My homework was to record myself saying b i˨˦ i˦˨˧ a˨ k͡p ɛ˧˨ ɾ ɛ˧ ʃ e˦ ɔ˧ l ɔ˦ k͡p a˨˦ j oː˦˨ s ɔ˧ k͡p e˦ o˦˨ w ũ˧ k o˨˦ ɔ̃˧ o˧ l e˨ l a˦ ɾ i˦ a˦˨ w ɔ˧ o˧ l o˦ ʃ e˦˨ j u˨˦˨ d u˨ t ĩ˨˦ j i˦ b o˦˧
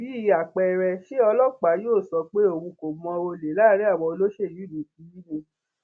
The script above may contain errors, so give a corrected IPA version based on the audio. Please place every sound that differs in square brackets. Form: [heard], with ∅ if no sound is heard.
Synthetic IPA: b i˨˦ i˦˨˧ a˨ k͡p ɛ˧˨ ɾ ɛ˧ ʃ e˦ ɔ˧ l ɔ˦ k͡p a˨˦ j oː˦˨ s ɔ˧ k͡p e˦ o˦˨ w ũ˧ k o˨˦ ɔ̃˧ o˧ l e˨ l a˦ ɾ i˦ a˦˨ w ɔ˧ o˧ l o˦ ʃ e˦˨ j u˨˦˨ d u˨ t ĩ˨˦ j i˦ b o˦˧